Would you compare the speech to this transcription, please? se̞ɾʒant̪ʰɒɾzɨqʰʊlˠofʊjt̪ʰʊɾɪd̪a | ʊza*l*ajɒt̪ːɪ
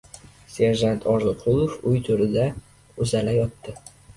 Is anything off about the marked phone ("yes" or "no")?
no